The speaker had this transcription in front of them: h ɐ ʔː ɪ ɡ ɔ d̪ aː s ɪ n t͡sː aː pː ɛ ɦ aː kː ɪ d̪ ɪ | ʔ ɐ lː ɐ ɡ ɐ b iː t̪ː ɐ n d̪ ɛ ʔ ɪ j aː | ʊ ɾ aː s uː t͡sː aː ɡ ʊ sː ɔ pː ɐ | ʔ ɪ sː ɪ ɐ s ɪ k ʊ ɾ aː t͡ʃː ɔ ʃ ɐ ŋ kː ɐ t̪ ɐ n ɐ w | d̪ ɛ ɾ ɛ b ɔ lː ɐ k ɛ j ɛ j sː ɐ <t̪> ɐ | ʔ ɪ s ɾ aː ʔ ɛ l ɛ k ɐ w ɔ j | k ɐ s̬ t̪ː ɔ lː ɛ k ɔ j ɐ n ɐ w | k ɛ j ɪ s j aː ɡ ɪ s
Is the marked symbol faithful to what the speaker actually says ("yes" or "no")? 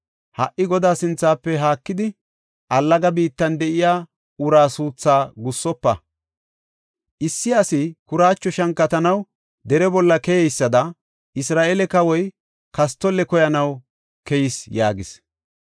no